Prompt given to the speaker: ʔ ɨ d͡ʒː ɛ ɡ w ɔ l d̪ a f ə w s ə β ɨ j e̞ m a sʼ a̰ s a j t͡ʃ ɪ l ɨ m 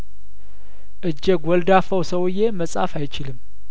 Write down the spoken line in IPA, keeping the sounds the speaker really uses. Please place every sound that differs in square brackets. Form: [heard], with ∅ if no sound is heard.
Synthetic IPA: ʔ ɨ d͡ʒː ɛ ɡ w ɔ l d̪ a f ə w s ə [w] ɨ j e̞ m [ə] sʼ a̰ [f] a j t͡ʃ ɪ l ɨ m